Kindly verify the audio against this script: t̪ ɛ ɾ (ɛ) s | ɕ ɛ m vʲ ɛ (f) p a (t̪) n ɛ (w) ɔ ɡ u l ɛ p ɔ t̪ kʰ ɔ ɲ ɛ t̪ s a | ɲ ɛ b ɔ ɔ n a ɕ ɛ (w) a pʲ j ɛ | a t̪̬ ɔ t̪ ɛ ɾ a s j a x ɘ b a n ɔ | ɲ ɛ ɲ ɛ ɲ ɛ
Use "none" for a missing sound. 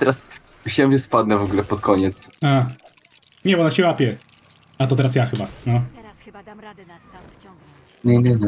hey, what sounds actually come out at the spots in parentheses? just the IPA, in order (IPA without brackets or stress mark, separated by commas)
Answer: a, s, d̪, v, w